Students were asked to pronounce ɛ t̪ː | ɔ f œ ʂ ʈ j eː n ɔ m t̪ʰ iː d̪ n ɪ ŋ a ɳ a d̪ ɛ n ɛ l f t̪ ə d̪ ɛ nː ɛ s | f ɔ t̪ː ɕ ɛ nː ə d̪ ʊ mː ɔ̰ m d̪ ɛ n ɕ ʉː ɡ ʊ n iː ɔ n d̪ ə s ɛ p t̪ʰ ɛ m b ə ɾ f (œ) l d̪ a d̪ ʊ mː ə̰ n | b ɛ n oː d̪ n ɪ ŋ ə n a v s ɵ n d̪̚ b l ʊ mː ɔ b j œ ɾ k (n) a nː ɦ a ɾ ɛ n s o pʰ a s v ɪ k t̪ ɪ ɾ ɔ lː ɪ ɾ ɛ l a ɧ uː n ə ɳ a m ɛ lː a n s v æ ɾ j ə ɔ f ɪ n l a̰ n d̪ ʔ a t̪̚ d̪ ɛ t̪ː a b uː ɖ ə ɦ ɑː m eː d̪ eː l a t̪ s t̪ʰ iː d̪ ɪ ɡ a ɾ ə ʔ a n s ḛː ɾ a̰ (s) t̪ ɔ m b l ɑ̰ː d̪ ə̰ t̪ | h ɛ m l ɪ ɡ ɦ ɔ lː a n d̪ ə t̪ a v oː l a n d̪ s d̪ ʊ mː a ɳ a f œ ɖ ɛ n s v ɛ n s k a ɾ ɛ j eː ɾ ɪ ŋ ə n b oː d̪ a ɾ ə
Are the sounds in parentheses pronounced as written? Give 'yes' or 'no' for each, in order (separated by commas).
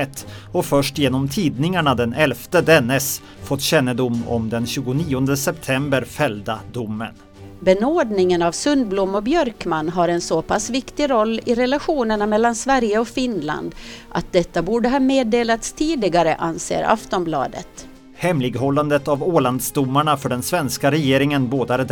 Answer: no, no, no